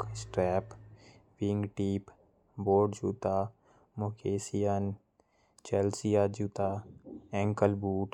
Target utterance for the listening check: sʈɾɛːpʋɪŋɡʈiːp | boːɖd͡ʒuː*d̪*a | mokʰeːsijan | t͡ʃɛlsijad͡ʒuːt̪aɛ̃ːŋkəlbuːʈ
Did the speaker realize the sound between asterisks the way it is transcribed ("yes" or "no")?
no